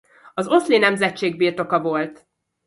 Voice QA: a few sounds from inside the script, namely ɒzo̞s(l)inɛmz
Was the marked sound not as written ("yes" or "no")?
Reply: no